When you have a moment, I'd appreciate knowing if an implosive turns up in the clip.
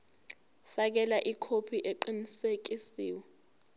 no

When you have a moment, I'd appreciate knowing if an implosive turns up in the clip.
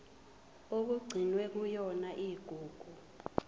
no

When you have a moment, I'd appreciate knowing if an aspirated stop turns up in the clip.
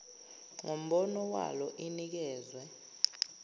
no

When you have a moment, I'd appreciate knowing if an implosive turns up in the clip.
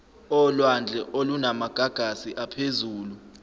no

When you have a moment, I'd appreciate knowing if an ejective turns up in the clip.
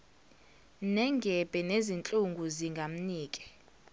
yes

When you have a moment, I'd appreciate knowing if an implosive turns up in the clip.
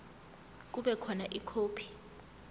yes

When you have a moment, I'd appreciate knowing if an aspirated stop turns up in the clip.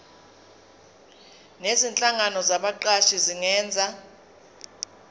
no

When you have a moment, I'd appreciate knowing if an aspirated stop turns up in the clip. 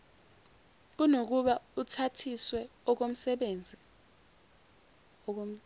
yes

